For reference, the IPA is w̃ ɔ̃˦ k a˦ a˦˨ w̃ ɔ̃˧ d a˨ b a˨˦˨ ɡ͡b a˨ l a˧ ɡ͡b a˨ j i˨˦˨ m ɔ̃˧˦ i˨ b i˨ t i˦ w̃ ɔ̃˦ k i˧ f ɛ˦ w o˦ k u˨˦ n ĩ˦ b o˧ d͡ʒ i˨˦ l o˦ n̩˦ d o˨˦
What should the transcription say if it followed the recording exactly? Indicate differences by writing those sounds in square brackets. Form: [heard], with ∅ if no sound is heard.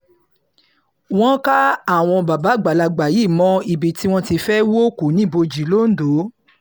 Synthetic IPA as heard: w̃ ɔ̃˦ k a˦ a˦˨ w̃ ɔ̃˧ [b] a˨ b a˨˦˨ ɡ͡b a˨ l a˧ ɡ͡b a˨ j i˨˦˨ m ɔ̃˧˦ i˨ b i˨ t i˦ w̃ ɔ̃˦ [t] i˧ f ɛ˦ w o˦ k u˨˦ n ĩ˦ b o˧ d͡ʒ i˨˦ l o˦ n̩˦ d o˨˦